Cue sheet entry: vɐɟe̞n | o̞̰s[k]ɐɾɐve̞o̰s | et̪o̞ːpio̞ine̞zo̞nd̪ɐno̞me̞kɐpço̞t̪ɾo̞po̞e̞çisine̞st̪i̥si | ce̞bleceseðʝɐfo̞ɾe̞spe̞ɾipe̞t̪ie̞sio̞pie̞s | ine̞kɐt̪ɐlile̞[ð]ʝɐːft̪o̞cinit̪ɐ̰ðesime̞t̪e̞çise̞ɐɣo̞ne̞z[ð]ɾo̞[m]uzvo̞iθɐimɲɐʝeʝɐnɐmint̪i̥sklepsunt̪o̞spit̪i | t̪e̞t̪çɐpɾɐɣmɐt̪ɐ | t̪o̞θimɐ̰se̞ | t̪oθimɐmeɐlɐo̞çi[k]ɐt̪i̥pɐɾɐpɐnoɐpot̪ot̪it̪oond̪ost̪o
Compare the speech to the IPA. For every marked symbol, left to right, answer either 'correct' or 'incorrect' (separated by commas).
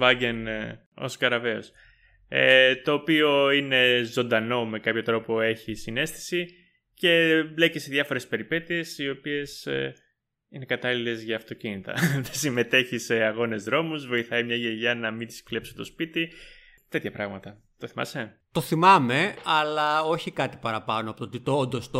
correct, incorrect, correct, correct, correct